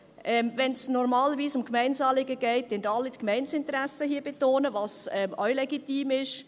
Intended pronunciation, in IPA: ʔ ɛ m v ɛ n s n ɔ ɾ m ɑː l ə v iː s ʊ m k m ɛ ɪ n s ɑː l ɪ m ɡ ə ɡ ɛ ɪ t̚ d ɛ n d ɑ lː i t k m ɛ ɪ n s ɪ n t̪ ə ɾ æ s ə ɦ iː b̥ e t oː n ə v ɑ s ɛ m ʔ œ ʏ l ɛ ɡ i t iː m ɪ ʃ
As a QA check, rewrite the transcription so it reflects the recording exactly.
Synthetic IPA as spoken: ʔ ɛ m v ɛ n s n ɔ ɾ m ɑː l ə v iː s ʊ m k m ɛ ɪ n s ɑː l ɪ ɡ ə ɡ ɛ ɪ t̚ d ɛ n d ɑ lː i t k m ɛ ɪ n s ɪ n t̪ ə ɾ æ s ə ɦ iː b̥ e t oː n ə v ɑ s ɛ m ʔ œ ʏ l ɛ ɡ i t iː m ɪ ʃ

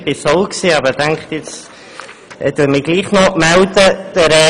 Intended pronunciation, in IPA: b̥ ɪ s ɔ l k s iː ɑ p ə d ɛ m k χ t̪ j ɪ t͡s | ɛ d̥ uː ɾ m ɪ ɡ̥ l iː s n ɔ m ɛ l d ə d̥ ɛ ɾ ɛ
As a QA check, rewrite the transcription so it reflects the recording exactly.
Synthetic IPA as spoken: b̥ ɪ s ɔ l k s iː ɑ b ə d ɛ ŋ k χ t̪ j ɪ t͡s | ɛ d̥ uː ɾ m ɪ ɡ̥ l iː χ n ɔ m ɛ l d ə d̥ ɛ ɾ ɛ

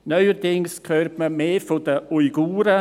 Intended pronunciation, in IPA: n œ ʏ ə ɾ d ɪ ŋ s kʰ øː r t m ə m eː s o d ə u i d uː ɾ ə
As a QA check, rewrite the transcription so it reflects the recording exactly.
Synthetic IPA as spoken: n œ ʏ ə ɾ d ɪ ŋ s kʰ øː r t m ə m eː f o d ə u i ɡ uː ɾ ə

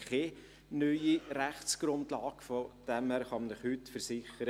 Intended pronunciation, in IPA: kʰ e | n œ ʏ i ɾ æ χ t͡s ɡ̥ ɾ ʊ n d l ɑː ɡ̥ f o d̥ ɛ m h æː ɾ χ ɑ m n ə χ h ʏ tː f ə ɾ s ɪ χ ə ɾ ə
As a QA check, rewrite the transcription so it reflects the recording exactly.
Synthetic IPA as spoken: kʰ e | n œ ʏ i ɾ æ χ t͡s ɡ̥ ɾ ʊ n d l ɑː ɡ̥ f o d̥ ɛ m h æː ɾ χ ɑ m n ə χ h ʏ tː f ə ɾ s ɪ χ ə ɾ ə

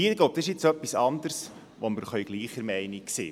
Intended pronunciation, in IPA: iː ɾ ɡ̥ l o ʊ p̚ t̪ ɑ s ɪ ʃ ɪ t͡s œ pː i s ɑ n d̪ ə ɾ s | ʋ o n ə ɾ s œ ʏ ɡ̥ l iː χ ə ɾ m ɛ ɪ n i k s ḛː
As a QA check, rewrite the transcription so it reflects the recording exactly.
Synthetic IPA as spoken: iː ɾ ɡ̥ l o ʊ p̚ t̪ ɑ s ɪ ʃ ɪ t͡s œ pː i s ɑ n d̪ ə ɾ s | ʋ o m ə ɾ χ œ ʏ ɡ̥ l iː χ ə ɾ m ɛ ɪ n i k s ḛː

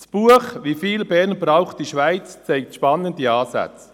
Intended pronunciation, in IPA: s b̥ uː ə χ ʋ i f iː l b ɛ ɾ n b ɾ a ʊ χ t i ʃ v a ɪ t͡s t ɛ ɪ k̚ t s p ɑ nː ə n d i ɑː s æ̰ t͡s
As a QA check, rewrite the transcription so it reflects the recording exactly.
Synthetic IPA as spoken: s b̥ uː ə χ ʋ i f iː l b ɛ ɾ n b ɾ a ʊ χ t i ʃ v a ɪ t͡s t͡s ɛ ɪ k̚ t ʃ p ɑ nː ə n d i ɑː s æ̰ t͡s

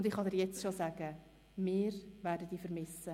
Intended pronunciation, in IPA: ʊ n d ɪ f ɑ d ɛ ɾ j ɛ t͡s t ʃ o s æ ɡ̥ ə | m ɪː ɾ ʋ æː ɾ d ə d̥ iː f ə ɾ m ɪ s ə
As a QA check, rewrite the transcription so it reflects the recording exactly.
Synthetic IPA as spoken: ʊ n d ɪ χ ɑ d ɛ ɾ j ɛ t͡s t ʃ o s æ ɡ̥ ə | m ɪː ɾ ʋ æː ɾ d ə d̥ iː f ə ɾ m ɪ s ə

